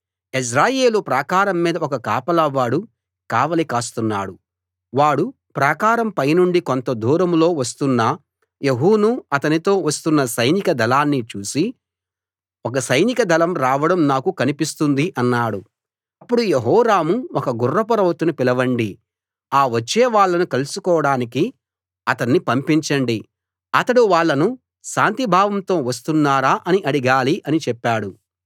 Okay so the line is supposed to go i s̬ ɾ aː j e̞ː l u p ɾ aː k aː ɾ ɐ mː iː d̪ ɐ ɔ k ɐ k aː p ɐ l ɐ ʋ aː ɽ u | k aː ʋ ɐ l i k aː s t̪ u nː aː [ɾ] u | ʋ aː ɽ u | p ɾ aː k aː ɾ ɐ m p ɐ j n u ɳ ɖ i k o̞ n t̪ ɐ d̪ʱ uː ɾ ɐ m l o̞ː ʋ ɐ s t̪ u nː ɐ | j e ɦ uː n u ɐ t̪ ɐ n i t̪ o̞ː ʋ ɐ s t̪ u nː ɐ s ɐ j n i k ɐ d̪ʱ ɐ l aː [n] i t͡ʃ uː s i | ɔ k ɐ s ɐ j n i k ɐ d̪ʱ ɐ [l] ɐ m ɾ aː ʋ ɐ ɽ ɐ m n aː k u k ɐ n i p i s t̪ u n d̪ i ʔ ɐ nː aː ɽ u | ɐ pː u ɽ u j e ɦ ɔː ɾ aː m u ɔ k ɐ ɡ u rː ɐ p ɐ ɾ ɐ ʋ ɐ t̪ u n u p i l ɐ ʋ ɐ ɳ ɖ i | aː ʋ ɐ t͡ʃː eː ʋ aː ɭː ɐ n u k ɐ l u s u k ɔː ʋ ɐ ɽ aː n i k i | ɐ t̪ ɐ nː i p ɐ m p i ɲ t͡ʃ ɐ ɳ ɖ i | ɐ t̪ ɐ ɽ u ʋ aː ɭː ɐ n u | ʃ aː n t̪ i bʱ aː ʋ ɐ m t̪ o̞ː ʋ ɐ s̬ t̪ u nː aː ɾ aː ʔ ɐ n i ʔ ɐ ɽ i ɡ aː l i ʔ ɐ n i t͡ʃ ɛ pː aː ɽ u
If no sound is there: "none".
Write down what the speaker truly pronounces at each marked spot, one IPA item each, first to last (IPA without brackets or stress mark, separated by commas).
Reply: ɽ, nː, l